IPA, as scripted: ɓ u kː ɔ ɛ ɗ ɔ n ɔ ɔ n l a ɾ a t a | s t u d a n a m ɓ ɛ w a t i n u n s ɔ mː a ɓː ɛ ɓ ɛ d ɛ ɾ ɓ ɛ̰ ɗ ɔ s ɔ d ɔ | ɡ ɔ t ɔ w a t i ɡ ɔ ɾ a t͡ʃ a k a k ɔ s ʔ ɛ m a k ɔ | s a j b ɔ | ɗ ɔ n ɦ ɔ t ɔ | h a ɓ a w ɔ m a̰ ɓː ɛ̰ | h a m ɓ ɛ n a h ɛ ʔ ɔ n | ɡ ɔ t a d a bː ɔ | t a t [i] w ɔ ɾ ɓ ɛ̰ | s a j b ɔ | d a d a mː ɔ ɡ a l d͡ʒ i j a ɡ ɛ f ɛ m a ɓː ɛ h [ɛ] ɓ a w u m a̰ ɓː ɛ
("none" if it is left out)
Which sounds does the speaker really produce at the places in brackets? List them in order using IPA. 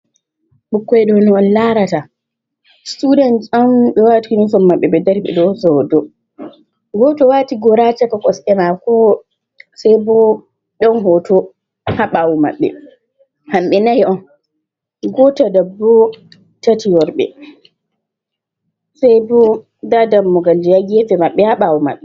i, a

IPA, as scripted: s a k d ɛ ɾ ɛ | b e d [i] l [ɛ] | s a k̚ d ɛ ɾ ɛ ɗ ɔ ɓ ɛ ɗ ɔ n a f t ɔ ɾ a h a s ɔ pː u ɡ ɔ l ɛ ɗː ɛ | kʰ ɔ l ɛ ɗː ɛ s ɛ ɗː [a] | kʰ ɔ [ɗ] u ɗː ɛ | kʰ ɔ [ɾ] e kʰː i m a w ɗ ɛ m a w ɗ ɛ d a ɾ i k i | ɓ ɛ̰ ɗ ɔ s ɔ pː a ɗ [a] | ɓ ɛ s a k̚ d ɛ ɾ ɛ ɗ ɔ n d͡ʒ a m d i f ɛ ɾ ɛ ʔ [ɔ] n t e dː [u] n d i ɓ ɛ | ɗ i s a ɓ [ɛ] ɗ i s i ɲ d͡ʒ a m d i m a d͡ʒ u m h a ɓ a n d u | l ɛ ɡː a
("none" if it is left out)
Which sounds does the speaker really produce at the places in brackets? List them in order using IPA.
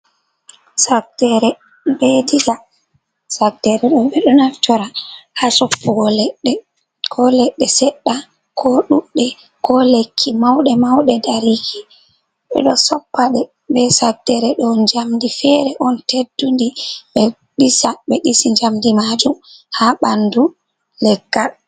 i, a, a, ɗ, l, ɛ, ɔ, u, ɛ

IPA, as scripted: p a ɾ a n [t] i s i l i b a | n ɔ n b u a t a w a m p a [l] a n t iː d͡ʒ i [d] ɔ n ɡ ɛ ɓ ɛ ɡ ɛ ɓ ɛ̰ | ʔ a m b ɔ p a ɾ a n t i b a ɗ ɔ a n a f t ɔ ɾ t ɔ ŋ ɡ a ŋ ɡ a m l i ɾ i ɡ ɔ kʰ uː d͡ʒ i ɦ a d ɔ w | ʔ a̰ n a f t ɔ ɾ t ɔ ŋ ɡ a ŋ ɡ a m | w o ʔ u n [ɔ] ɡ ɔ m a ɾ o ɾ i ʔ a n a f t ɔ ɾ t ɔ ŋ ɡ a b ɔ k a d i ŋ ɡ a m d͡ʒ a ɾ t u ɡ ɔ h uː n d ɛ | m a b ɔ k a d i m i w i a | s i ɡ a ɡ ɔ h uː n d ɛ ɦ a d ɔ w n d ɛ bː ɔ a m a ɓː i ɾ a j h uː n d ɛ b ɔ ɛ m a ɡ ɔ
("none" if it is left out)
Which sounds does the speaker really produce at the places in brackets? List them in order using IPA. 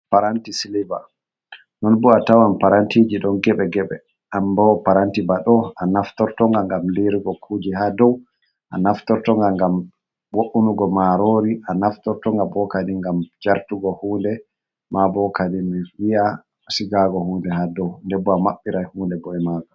t, ɾ, ɗ, u

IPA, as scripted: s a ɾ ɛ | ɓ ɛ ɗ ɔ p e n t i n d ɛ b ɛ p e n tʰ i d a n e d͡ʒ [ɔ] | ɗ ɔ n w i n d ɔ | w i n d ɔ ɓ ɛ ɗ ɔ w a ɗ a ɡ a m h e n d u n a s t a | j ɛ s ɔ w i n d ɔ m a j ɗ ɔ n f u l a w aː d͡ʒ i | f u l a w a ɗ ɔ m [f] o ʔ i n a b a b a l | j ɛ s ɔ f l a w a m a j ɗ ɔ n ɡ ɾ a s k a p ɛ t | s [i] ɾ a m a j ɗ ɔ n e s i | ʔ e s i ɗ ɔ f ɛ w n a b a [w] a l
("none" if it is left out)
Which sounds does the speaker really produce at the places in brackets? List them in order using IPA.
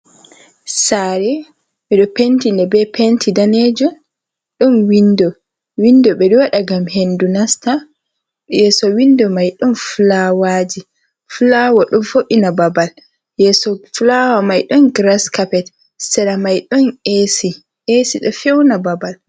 ɔ, f, ɛ, b

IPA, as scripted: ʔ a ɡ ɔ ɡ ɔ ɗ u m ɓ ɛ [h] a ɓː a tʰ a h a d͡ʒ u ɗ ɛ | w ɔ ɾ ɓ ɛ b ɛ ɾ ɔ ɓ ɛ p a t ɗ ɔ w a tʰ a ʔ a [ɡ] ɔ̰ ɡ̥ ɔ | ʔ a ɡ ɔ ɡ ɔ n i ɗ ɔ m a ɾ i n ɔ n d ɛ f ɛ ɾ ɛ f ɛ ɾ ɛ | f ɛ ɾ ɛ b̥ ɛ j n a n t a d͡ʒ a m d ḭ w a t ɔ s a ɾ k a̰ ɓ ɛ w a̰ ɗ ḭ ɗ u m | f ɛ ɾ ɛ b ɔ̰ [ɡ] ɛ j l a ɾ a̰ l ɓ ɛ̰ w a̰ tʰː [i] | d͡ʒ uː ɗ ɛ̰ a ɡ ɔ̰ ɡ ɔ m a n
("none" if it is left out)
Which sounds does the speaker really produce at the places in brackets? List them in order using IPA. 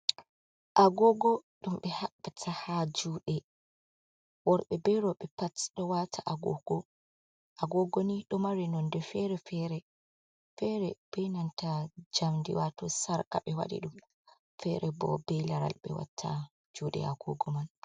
h, ɡ, b, a

